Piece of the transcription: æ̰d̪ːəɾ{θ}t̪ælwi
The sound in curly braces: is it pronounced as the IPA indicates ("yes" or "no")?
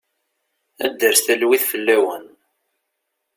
no